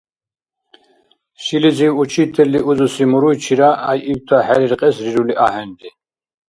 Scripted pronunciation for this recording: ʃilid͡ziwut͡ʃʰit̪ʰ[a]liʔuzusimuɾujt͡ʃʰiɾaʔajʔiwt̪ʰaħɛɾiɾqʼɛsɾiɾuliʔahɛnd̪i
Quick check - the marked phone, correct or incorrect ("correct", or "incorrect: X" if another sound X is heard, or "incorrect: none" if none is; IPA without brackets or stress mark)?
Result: incorrect: ɛ